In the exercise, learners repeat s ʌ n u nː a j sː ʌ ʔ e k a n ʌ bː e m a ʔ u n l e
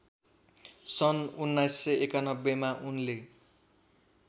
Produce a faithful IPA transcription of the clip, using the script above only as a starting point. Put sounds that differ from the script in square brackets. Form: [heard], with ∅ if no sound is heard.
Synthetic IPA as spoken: s ʌ n u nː a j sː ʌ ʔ e k a n ʌ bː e m a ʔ u n l e